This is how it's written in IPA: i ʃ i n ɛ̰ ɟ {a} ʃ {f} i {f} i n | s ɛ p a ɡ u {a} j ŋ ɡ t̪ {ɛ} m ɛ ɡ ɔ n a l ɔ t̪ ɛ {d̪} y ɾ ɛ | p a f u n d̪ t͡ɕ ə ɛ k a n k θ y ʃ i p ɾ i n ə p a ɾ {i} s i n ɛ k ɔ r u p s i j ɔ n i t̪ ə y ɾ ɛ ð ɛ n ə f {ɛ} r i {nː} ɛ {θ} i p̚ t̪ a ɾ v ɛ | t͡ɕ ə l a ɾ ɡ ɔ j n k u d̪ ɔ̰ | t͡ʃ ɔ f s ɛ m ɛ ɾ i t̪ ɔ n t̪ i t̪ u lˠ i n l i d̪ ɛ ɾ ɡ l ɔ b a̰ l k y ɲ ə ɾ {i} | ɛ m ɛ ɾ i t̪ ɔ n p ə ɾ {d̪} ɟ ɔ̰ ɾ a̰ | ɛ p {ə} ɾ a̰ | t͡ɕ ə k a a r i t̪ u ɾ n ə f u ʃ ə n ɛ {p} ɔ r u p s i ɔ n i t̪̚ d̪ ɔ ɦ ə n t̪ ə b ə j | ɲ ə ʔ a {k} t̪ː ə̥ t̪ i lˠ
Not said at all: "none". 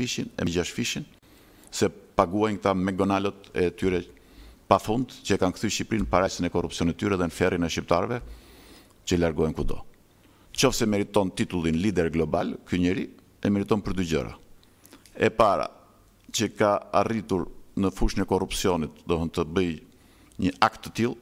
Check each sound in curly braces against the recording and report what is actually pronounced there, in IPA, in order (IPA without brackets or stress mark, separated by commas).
a, f, ʃ, a, a, t̪, a, ɛ, n, ʃ, i, d̪, a, k, k